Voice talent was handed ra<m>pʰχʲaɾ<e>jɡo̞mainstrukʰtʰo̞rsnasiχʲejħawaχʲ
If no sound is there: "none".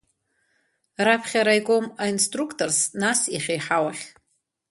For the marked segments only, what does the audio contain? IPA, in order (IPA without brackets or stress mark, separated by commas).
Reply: none, a